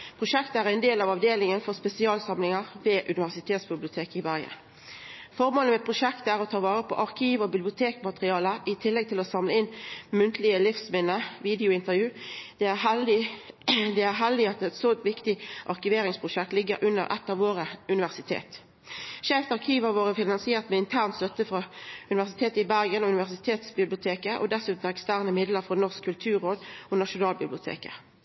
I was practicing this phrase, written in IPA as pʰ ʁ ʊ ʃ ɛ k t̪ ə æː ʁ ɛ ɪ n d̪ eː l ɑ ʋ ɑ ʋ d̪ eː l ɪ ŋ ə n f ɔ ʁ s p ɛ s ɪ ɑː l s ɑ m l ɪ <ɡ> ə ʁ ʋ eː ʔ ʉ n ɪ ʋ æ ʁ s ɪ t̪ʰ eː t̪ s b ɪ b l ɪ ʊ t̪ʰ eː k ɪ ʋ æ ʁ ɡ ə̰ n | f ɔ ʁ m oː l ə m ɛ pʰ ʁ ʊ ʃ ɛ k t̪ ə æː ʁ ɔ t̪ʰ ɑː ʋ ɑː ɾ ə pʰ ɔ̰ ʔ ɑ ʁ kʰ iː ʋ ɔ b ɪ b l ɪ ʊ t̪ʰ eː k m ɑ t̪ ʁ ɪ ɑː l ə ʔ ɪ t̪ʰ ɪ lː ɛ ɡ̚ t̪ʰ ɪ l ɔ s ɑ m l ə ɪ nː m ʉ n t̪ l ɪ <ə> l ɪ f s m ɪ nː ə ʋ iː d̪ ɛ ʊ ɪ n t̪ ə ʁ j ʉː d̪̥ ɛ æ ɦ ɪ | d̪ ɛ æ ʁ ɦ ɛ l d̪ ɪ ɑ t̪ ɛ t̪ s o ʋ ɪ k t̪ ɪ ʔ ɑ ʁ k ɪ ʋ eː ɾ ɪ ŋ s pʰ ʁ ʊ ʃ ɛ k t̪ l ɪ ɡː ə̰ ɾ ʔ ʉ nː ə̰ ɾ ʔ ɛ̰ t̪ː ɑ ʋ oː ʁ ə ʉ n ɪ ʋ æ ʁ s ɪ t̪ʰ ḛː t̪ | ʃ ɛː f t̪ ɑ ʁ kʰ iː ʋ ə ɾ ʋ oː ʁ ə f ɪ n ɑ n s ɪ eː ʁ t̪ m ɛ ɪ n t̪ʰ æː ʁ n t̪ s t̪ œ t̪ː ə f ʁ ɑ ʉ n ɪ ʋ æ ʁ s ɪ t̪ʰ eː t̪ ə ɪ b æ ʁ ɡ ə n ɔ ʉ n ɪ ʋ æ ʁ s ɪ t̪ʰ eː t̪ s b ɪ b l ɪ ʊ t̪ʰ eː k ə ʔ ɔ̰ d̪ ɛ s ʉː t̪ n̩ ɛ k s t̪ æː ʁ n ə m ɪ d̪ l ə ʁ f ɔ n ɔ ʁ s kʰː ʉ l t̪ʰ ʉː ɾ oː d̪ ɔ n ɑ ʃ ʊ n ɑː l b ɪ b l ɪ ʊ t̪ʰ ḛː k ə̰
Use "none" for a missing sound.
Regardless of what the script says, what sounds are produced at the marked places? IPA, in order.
ŋ, ə

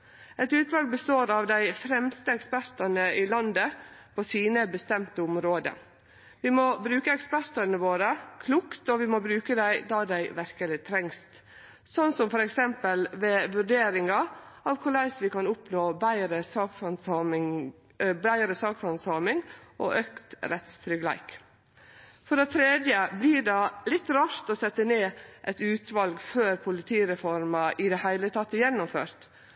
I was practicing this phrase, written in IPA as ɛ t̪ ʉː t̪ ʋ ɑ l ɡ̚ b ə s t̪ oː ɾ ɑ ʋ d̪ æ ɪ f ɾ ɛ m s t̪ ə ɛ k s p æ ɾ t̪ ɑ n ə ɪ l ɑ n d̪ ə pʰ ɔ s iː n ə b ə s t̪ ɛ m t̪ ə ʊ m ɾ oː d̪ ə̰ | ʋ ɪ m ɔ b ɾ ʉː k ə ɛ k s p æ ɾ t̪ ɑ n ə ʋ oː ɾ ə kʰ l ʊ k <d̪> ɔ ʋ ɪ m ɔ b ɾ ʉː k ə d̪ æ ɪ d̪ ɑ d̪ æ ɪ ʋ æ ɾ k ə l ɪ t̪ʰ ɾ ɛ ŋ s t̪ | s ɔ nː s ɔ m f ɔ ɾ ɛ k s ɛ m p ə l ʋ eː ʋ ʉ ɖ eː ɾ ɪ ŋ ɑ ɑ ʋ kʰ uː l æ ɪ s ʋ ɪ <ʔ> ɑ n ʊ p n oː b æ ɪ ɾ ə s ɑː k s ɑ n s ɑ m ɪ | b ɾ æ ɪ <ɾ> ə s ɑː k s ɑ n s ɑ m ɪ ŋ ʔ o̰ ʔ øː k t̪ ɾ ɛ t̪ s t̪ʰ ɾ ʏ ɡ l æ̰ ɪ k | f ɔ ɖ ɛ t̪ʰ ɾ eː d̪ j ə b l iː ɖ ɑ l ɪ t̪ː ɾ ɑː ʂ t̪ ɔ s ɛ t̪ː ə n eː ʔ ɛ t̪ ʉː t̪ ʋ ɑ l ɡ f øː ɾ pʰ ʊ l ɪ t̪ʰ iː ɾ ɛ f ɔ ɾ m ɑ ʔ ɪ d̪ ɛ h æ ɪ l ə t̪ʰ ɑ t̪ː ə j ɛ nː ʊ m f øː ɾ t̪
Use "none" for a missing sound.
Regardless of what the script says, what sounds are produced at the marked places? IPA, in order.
t̪, k, ɾ

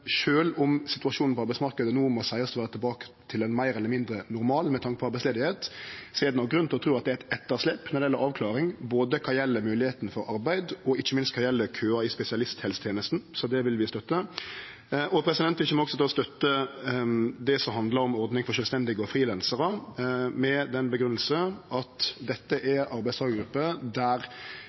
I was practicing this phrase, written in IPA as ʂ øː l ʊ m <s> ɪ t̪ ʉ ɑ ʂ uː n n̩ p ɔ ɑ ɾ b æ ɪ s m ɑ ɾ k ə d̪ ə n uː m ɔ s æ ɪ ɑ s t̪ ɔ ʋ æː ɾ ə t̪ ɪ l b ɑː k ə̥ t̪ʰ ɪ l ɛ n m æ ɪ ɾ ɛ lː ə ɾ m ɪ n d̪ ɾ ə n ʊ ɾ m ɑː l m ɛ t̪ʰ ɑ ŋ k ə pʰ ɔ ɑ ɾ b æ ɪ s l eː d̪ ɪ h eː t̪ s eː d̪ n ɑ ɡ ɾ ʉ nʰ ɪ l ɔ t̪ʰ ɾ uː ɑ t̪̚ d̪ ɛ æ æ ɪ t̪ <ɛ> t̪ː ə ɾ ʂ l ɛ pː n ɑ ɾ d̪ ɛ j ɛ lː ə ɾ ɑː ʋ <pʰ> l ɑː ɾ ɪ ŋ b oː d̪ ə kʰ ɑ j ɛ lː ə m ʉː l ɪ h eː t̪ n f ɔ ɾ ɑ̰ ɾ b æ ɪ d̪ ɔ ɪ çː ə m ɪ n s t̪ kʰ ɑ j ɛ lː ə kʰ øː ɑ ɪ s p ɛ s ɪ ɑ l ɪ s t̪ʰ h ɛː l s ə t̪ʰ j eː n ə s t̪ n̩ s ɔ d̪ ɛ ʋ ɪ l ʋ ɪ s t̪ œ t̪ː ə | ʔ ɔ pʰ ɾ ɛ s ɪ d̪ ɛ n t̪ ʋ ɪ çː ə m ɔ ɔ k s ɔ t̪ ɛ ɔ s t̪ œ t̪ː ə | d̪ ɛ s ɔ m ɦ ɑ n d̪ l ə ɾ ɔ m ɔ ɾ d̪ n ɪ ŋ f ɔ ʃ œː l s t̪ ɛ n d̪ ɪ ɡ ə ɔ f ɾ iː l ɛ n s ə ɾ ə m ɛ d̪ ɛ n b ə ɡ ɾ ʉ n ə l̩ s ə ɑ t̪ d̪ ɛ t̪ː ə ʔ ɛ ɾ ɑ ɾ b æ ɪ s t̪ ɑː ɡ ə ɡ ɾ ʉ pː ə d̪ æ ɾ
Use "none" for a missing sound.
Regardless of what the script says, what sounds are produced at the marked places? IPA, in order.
s, ɛ, kʰ

